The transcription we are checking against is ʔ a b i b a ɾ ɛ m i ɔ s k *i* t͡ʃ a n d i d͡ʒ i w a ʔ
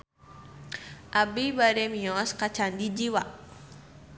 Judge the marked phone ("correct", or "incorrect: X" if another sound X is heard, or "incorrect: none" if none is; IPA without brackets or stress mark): incorrect: a